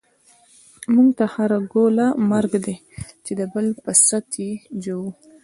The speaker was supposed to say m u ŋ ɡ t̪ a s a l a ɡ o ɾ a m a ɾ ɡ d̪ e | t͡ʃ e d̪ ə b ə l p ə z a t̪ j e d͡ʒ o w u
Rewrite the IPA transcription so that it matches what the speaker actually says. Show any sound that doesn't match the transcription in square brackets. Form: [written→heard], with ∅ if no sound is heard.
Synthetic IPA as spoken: m u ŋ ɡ t̪ a [s→h] a [l→ɾ] a ɡ o [ɾ→l] a m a ɾ ɡ d̪ e | t͡ʃ e d̪ ə b ə l p ə [z→s] a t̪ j e d͡ʒ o w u